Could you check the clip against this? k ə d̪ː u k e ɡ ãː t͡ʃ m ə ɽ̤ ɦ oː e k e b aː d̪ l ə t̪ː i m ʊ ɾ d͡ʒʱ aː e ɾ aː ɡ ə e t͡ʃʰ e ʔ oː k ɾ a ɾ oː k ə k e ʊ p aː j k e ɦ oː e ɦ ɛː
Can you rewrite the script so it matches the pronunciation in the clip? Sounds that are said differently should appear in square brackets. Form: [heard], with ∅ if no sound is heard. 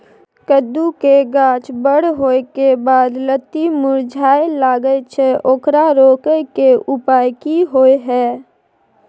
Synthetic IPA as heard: k ə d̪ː u k e ɡ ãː t͡ʃ [b] ə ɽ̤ ɦ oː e k e b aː d̪ l ə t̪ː i m ʊ ɾ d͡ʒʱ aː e [l] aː ɡ ə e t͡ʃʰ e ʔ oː k ɾ a ɾ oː k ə k e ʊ p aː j k [i] ɦ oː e ɦ ɛː